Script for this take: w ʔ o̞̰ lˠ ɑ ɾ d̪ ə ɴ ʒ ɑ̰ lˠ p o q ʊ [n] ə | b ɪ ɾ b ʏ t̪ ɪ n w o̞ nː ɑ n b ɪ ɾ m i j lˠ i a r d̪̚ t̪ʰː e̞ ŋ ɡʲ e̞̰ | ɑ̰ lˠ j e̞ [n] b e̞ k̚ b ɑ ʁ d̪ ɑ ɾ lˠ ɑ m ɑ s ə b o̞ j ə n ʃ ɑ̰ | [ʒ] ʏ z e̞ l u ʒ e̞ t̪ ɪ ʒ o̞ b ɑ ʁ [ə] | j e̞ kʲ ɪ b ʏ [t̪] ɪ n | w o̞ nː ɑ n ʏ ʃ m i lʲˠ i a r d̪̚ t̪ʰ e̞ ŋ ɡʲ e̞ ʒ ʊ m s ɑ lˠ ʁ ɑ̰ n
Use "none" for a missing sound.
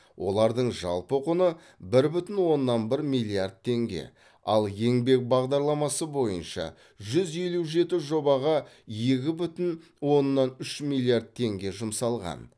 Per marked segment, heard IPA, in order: n, ŋ, ʒ, ɑ, t̪

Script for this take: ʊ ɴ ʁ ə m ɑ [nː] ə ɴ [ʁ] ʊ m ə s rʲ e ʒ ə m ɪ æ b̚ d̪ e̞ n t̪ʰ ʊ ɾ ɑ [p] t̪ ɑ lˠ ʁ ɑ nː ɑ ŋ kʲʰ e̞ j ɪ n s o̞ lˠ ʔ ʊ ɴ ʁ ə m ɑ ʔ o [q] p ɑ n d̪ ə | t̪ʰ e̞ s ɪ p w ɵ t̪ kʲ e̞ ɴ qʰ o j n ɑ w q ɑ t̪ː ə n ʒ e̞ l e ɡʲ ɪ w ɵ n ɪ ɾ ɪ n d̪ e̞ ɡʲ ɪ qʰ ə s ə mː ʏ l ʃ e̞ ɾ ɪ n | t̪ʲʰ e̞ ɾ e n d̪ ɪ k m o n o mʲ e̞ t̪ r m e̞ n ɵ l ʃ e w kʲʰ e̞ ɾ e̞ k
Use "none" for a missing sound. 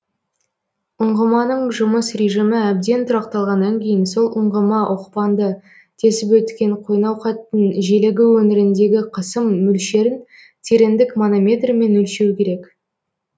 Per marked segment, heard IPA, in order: n, ʒ, q, q

